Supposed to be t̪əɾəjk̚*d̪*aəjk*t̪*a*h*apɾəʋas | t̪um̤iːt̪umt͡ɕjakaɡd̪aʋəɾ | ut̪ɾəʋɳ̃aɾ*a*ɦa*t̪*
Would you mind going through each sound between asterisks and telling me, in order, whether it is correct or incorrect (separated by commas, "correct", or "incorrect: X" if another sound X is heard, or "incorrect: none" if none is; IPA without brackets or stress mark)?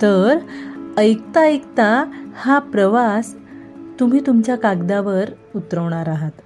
incorrect: t̪, correct, correct, correct, correct